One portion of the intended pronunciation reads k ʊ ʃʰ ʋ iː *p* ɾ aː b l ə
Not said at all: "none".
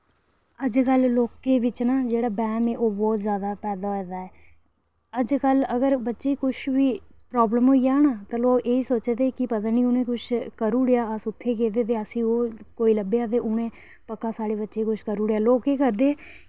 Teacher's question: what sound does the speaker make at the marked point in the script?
p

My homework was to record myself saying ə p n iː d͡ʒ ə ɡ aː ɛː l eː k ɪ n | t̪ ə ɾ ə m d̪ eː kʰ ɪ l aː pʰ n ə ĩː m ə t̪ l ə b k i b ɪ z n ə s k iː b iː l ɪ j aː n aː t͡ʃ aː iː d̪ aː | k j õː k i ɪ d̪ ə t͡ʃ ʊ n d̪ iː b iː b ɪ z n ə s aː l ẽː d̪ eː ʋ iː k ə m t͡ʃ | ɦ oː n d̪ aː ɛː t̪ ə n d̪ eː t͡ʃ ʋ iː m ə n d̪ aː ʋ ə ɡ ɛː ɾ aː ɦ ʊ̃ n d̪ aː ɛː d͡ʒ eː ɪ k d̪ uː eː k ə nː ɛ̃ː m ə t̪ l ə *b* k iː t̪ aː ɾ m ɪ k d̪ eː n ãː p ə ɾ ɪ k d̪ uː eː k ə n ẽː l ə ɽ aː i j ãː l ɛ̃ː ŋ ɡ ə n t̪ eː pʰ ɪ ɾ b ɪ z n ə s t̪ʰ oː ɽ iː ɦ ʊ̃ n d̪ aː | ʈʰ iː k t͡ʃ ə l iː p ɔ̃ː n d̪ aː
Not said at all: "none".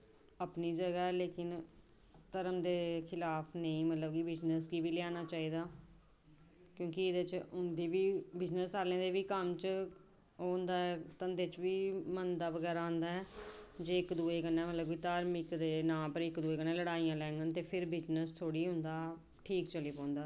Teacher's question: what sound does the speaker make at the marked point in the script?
b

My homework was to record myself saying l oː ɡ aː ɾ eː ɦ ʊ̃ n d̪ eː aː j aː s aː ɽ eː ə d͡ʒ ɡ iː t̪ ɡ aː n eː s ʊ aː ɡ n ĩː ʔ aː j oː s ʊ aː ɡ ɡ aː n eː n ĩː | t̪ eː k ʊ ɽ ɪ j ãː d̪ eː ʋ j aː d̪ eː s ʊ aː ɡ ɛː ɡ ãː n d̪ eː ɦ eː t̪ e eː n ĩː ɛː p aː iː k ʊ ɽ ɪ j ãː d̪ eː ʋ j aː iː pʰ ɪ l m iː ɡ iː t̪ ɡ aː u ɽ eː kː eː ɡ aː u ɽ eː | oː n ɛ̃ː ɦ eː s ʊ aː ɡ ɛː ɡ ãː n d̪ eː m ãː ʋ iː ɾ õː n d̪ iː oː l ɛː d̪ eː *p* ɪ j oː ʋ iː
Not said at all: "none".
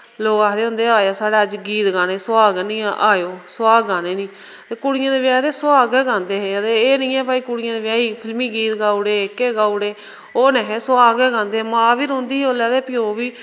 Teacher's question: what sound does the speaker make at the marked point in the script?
p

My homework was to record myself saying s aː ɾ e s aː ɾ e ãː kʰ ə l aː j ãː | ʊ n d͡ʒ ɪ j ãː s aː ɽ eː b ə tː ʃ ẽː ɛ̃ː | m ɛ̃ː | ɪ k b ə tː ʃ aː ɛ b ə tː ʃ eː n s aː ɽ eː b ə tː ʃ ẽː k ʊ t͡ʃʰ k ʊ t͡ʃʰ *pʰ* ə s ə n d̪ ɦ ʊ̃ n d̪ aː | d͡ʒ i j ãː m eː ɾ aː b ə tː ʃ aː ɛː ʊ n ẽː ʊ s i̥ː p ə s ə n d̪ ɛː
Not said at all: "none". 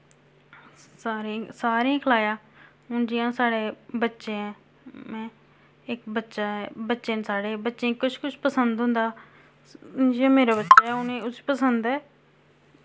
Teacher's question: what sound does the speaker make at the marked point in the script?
p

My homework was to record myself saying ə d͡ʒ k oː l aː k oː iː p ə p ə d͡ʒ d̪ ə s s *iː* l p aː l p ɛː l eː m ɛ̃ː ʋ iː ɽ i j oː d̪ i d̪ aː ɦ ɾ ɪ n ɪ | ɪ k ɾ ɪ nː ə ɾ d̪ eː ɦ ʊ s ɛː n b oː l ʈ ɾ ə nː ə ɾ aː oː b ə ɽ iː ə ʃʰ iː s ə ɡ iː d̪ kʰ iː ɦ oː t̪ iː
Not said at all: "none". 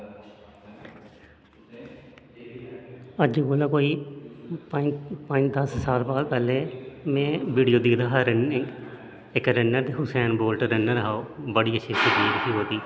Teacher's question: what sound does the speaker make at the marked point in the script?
aː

